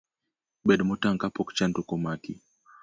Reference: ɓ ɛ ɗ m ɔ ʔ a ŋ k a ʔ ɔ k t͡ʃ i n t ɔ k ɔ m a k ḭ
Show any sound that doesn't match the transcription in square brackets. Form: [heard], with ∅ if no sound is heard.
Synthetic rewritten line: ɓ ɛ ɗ m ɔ [t] a ŋ k a [p] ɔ k t͡ʃ [a] n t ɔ k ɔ m a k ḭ

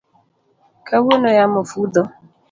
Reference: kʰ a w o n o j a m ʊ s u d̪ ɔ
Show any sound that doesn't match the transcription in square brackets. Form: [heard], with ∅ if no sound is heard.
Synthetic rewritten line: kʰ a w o n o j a m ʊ [f] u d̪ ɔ

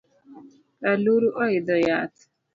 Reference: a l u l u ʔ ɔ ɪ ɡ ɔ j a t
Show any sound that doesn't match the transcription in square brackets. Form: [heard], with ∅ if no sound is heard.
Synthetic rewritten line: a l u [ɾ] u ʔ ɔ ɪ [d] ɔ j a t

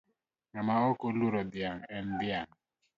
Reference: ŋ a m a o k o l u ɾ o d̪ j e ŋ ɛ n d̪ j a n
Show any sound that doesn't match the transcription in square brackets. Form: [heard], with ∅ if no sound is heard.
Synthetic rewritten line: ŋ a m a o k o l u ɾ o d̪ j [a] ŋ ɛ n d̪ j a [ŋ]

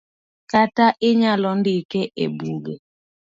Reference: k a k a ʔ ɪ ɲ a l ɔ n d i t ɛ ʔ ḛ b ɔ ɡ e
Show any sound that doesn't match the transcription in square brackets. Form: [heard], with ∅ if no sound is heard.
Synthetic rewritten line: k a [t] a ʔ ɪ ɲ a l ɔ n d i [k] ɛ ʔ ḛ b [u] ɡ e

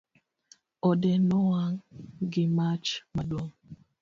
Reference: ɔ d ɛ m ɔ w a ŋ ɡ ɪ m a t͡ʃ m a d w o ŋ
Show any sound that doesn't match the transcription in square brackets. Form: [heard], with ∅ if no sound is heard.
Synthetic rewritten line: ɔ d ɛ [n] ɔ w a ŋ ɡ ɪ m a t͡ʃ m a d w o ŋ

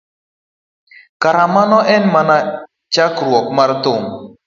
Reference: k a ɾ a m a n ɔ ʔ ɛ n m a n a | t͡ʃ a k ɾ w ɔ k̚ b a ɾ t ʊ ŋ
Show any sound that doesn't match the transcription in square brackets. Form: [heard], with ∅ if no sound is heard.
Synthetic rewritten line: k a ɾ a m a n ɔ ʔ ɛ n m a n a | t͡ʃ a k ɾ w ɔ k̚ [m] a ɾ t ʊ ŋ

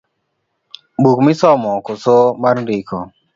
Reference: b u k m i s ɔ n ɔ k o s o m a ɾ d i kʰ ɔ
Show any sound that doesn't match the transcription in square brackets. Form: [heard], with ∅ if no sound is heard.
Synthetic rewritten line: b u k m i s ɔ [m] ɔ k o s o m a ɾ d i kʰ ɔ

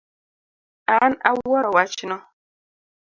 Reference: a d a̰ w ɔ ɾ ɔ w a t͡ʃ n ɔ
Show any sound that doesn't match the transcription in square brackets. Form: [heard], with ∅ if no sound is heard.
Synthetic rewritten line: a [n] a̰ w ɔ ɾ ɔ w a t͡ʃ n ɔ

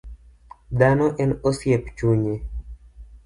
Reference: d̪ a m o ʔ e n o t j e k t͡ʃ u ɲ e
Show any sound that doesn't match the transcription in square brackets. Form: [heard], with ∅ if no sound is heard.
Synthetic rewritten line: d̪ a [n] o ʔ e n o [s] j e [p] t͡ʃ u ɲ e

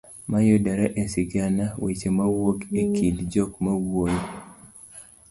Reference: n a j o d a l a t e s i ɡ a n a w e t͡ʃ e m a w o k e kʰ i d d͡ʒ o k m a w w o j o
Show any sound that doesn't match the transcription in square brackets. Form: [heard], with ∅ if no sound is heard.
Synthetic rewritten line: [m] a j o d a [ɾ] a [ʔ] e s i ɡ a n a w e t͡ʃ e m a w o k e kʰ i d d͡ʒ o k m a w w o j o

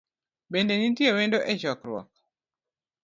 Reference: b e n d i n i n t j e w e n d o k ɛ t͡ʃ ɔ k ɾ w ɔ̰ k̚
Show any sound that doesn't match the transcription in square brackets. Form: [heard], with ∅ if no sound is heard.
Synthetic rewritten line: b e n d [e] n i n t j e w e n d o [ʔ] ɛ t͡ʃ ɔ k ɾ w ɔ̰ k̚

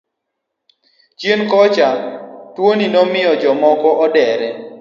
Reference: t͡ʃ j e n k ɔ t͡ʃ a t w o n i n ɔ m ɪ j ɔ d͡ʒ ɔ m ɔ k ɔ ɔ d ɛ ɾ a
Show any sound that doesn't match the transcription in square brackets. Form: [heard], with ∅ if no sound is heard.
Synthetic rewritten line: t͡ʃ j e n k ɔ t͡ʃ a t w o n i n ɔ m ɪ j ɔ d͡ʒ ɔ m ɔ k ɔ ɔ d ɛ ɾ [ɛ]

